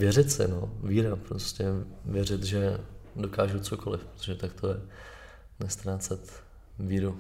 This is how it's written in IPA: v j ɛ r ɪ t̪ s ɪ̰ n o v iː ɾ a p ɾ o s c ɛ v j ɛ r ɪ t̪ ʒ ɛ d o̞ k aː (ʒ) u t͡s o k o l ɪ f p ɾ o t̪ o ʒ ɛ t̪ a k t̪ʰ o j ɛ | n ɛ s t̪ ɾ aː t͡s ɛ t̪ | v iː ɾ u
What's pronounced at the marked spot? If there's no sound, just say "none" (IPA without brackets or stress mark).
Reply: ʒ